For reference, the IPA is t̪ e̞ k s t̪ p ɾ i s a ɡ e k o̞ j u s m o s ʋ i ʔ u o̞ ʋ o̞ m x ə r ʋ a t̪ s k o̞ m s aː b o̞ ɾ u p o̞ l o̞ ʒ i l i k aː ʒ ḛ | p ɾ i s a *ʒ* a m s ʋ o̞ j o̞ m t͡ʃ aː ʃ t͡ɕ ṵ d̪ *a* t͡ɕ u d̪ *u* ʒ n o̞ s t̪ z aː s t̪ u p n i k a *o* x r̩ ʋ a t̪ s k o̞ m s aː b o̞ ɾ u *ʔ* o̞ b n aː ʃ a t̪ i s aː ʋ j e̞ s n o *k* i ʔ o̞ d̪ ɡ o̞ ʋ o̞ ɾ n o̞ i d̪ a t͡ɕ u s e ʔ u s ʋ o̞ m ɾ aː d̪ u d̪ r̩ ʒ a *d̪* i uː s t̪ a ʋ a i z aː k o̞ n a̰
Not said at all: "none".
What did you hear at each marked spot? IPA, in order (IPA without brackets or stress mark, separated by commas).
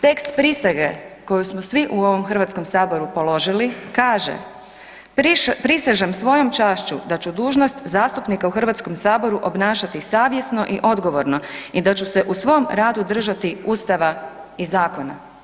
ʒ, a, uː, u, ʔ, ʔ, t̪